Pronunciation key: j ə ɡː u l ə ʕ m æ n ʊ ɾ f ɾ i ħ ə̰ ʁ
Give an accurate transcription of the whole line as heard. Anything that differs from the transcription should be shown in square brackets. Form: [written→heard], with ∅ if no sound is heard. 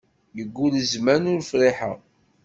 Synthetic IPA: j ə ɡː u l ə [ʕ→z] m æ n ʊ ɾ f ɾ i ħ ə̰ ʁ